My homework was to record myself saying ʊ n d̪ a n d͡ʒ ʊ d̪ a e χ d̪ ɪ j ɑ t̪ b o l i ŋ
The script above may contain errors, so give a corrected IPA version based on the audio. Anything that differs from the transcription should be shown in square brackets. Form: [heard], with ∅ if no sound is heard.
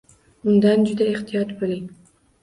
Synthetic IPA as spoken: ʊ n d̪ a n d͡ʒ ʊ d̪ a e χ [t̪] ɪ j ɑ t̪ b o l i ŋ

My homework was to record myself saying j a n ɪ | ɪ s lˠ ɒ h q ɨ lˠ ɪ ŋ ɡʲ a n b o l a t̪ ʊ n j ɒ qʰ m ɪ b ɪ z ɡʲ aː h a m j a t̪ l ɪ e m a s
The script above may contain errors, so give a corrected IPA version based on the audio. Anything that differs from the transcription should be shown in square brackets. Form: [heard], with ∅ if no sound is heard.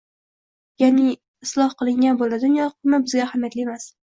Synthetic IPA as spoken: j a n ɪ | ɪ s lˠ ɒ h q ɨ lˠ ɪ ŋ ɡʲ a n b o l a [d̪] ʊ n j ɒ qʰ m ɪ b ɪ z ɡʲ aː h a m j a t̪ l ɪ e m a s

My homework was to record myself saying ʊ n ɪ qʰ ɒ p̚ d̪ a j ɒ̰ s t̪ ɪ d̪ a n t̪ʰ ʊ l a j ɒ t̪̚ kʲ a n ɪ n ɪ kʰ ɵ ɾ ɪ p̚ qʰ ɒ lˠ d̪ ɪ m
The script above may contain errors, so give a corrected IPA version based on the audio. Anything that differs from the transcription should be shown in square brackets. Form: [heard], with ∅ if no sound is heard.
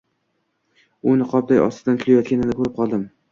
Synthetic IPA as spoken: ʊ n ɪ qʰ ɒ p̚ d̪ a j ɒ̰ s t̪ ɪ d̪ a n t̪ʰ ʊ l a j ɒ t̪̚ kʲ a n ɪ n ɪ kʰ ɵ ɾ ɪ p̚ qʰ ɒ lˠ d̪ ɪ m

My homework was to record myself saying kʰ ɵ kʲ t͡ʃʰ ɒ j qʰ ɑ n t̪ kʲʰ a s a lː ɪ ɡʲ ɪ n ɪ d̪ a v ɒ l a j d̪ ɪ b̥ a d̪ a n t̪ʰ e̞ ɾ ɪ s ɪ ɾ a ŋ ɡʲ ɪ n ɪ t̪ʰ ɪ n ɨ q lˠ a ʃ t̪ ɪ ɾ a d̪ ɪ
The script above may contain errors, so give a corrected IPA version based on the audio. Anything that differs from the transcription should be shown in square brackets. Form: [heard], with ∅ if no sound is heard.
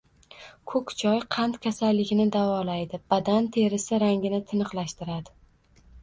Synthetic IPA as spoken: kʰ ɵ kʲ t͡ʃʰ ɒ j qʰ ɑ n t̪ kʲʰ a s a lː ɪ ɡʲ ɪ n ɪ d̪ a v ɒ l a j d̪ ɪ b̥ a d̪ a n t̪ʰ e̞ ɾ ɪ s ɪ ɾ a ŋ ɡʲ ɪ n ɪ t̪ʰ ɪ n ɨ q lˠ a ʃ t̪ ɪ ɾ a d̪ ɪ

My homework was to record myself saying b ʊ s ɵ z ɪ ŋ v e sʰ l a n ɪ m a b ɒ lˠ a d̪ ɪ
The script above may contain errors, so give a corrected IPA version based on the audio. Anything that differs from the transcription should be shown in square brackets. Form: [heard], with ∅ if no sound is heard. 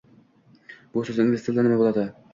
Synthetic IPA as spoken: b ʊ s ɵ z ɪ [n] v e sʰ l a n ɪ m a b [o] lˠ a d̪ ɪ

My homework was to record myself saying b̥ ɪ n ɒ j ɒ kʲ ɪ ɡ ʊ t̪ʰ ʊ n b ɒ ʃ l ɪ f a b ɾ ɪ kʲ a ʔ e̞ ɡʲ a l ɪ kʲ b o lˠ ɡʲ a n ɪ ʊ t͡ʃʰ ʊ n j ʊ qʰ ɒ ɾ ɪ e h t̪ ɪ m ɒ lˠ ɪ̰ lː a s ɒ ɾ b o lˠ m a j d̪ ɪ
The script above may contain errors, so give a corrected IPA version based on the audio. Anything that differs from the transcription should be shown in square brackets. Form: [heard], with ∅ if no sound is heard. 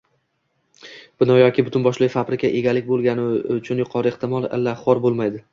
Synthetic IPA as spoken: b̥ ɪ n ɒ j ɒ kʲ ɪ [b] ʊ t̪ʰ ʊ n b ɒ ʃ l ɪ f a b ɾ ɪ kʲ a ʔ e̞ ɡʲ a l ɪ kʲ b o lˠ ɡʲ a n ɪ ʊ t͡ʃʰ ʊ n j ʊ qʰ ɒ ɾ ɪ e h t̪ ɪ m ɒ lˠ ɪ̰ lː a [χ] ɒ ɾ b o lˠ m a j d̪ ɪ

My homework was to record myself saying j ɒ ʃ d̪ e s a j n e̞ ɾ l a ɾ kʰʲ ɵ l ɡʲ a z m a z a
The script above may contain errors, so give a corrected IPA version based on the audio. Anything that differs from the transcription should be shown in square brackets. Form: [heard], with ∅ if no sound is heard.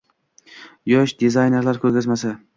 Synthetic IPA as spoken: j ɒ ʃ d̪ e [z] a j n e̞ ɾ l a ɾ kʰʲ ɵ [ɾ] ɡʲ a z m a [s] a

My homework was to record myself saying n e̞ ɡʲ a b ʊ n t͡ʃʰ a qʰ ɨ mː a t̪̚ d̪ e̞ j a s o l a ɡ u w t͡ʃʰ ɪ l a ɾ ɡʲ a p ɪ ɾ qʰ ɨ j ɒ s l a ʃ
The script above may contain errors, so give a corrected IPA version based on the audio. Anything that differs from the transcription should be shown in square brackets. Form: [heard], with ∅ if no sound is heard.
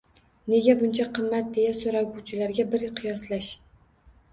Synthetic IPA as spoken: n e̞ ɡʲ a b ʊ n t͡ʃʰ a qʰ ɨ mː a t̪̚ d̪ e̞ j a s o [ɾ] a ɡ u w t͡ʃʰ ɪ l a ɾ ɡʲ a [b] ɪ ɾ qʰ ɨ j ɒ s l a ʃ

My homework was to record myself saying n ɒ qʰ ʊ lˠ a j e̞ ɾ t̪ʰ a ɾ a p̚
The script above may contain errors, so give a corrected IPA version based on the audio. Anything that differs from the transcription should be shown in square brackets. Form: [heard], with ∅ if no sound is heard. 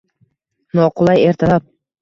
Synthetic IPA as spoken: n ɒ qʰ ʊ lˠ a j e̞ ɾ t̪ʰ a [l] a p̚

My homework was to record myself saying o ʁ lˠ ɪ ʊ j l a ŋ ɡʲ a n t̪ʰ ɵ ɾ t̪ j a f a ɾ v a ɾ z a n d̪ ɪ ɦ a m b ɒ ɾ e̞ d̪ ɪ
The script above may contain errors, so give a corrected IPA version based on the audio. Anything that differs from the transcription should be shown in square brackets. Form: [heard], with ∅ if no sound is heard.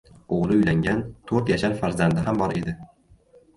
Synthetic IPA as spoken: o ʁ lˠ ɪ ʊ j l a ŋ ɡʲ a n t̪ʰ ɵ ɾ t̪ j a [ʃ] a ɾ [f] a ɾ z a n d̪ ɪ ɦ a m b ɒ ɾ e̞ d̪ ɪ

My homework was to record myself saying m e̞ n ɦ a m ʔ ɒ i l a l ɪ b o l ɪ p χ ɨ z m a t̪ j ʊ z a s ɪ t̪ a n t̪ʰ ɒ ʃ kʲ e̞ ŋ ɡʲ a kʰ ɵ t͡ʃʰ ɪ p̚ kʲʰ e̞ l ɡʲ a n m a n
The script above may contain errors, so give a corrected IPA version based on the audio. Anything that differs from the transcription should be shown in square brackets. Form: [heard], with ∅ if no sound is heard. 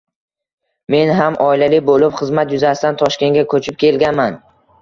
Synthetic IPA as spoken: m e̞ n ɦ a m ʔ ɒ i l a l ɪ b o l ɪ p χ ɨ z m a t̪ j ʊ z a s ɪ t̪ a n t̪ʰ ɒ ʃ kʲ e̞ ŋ ɡʲ a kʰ ɵ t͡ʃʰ ɪ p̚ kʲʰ e̞ l ɡʲ a n m a n

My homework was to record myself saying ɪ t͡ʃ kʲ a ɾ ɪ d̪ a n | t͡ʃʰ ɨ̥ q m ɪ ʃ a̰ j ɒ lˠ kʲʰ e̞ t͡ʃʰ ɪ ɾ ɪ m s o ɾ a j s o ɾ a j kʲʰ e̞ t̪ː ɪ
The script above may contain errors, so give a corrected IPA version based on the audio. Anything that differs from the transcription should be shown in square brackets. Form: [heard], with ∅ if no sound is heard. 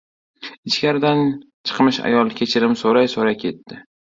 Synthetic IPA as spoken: ɪ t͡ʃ kʲ a ɾ ɪ d̪ a n | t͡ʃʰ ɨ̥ q m ɪ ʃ a̰ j ɒ lˠ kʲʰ e̞ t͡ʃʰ ɪ ɾ ɪ m s o ɾ a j s o ɾ a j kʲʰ e̞ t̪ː ɪ

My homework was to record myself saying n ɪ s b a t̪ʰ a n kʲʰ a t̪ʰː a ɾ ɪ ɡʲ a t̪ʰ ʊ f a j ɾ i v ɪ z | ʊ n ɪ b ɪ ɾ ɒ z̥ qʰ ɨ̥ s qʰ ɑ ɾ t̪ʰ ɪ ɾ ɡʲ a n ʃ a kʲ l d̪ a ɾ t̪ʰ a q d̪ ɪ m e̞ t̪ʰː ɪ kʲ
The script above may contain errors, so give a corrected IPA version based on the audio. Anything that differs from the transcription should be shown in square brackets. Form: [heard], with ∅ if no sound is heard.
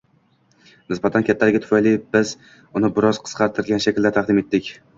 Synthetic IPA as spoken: n ɪ s b a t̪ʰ a n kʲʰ a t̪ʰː a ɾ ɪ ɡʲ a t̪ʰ ʊ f a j [l] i [b] ɪ z | ʊ n ɪ b ɪ ɾ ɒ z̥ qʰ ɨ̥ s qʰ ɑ ɾ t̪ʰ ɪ ɾ ɡʲ a n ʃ a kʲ l d̪ a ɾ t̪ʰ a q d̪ ɪ m e̞ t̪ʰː ɪ kʲ

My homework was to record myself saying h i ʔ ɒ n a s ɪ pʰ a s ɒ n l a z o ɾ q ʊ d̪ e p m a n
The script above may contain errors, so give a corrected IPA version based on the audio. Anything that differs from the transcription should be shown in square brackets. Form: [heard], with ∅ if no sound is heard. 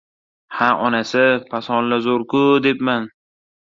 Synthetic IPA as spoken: h [a] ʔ ɒ n a s ɪ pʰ a s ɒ n l a z o ɾ [k] ʊ d̪ e p m a n

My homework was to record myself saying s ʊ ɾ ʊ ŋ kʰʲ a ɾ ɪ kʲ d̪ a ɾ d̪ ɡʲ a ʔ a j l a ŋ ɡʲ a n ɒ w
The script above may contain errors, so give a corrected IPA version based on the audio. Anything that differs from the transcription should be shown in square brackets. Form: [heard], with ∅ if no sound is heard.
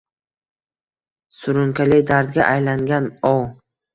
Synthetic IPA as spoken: s ʊ ɾ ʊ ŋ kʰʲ a [l] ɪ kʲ d̪ a ɾ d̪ ɡʲ a ʔ a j l a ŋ ɡʲ a n ɒ w

